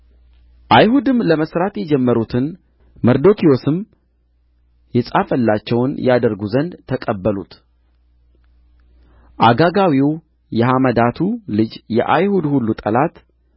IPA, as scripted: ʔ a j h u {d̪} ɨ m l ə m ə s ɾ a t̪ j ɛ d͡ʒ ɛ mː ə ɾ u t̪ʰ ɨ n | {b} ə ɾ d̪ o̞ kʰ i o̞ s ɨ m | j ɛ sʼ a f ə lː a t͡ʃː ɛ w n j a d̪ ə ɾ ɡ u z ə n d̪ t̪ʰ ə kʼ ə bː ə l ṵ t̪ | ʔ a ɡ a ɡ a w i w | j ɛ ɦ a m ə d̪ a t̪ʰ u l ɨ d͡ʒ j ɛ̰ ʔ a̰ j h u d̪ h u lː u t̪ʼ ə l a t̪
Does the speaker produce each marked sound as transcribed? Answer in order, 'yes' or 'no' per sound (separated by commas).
yes, no